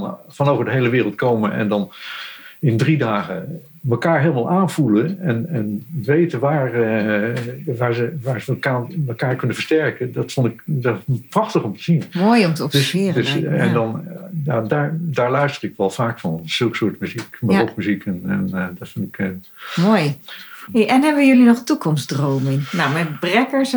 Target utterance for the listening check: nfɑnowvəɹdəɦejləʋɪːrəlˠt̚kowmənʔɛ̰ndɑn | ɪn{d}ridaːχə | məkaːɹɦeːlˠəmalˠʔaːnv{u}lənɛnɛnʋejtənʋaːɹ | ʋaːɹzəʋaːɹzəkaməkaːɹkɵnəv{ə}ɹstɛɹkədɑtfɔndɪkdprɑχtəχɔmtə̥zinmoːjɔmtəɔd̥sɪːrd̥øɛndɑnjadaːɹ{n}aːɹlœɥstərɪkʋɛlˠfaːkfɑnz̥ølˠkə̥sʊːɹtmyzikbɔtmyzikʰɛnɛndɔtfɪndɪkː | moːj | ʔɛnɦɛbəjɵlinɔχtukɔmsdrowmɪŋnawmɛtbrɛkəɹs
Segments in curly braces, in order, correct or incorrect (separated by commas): correct, correct, correct, incorrect